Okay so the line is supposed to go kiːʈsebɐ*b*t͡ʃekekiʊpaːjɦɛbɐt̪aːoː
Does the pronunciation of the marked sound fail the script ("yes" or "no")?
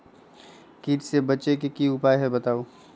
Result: yes